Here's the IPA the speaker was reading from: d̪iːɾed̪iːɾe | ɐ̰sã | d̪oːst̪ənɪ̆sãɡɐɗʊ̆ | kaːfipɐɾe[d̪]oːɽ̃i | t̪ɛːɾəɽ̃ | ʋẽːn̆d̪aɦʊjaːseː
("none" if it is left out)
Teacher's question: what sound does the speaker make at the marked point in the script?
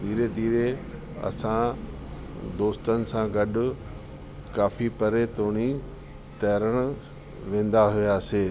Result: t̪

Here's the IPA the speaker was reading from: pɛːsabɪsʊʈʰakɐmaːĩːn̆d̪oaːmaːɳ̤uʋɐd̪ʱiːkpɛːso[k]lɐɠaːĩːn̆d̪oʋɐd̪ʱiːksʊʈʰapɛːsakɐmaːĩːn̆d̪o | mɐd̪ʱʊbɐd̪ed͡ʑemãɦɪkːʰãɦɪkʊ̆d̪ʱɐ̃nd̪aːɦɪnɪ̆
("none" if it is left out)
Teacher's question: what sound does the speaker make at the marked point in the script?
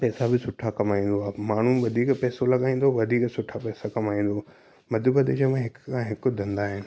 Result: none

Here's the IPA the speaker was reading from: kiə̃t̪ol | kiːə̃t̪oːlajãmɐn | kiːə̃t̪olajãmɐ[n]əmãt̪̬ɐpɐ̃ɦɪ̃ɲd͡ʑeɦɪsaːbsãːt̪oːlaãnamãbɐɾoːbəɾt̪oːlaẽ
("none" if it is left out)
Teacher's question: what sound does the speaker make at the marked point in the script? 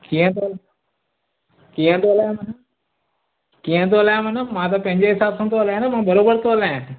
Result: n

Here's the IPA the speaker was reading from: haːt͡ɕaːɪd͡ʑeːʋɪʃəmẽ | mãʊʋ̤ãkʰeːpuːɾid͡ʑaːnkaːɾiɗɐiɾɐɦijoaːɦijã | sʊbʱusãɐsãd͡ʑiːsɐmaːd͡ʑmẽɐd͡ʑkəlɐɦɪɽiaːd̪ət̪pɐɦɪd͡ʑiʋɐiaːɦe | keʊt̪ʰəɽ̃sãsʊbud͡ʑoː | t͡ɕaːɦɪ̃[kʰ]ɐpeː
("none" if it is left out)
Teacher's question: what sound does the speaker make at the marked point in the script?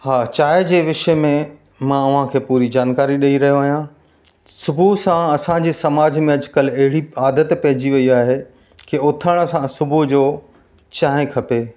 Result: kʰ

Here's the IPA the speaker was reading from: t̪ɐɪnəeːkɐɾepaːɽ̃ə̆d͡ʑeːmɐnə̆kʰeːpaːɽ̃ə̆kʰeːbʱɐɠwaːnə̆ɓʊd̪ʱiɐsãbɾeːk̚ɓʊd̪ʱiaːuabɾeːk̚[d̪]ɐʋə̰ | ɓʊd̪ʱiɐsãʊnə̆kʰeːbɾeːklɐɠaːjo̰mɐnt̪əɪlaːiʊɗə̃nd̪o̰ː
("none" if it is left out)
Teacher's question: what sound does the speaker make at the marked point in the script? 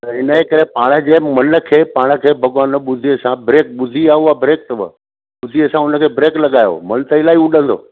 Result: t̪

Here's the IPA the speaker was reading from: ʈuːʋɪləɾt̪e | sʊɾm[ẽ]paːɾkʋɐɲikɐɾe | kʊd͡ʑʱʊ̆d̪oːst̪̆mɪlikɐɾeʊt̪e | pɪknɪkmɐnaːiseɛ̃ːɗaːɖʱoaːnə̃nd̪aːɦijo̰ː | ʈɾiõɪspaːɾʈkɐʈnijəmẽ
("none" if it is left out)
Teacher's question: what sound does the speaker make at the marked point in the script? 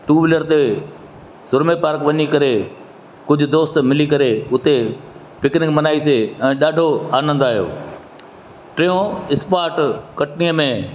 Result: e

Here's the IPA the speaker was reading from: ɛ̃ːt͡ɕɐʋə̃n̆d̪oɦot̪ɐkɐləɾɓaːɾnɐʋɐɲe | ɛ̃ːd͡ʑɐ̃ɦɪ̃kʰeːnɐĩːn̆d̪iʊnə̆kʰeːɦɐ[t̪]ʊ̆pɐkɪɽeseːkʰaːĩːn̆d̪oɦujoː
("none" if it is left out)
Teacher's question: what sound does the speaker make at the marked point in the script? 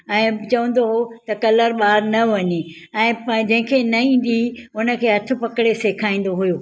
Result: t̪ʰ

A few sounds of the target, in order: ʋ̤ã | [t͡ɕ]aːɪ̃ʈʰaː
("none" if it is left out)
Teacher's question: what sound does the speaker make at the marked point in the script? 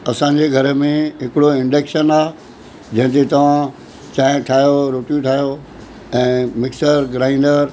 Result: t͡ɕ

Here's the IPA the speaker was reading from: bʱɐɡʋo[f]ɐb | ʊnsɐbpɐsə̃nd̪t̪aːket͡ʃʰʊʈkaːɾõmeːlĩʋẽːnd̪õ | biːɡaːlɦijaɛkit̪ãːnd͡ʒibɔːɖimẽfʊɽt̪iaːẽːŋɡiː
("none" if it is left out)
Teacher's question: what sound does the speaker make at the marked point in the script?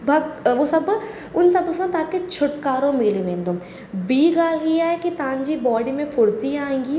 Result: s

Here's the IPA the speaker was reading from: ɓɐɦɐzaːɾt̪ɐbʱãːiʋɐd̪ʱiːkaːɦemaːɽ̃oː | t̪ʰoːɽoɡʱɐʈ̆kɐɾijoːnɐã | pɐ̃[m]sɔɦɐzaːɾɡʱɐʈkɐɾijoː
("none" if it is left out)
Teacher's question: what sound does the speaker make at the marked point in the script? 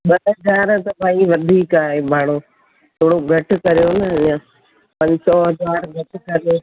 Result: ɲ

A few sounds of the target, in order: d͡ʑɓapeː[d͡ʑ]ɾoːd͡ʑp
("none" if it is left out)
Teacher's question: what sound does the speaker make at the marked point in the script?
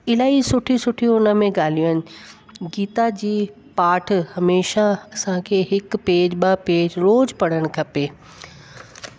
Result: d͡ʑ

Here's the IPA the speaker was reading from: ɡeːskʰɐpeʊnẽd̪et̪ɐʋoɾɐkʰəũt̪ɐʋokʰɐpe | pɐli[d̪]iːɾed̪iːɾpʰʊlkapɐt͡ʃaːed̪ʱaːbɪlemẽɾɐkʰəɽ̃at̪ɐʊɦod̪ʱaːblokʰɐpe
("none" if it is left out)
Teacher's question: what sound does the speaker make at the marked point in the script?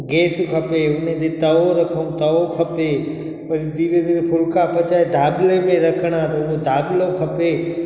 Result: d̪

